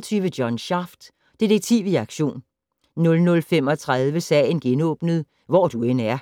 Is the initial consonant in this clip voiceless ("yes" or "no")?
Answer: yes